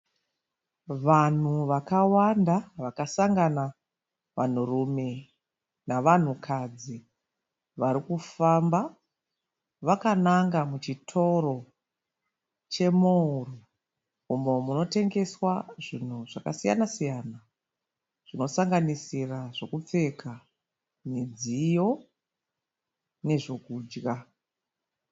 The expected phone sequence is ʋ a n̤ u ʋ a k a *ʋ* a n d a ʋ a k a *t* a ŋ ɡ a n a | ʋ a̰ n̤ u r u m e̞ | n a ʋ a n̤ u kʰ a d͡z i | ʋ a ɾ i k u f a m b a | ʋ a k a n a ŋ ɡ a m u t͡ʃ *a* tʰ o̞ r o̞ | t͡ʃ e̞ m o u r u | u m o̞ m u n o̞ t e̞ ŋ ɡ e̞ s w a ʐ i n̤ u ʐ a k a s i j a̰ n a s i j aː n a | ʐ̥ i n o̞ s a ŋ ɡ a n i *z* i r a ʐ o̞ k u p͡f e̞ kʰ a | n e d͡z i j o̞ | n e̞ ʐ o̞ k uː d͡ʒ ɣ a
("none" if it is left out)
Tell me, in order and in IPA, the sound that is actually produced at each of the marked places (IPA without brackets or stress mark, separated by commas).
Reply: w, s, i, s